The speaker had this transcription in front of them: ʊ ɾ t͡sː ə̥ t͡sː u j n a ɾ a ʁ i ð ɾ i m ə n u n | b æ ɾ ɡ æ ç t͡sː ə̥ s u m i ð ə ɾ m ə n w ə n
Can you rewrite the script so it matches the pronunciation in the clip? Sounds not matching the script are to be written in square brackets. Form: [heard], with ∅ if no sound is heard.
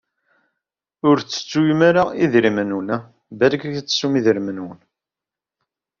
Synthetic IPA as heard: ʊ ɾ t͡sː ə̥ t͡sː u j [m] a ɾ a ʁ i ð ɾ i m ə n u n | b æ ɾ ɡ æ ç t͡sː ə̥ s u m i ð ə ɾ m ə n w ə n